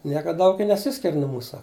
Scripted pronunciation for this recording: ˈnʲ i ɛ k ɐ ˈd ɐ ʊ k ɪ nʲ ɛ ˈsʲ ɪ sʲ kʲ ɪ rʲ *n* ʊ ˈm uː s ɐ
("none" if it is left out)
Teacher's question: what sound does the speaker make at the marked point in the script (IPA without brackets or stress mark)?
n